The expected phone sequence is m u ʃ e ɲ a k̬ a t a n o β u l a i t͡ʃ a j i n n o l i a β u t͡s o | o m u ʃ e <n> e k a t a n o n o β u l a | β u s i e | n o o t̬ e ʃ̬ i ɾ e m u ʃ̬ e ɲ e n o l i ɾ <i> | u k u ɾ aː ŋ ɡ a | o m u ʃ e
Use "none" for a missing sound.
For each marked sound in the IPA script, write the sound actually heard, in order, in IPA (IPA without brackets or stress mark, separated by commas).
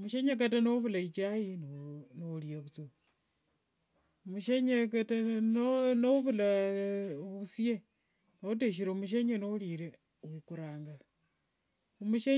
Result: ɲ, e